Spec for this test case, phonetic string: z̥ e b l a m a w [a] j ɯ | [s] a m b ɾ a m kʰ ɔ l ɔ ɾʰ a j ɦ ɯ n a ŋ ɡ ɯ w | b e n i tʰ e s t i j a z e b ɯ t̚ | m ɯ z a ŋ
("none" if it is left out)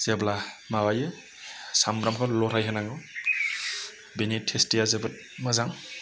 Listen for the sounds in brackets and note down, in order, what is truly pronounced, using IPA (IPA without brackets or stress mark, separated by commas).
a, s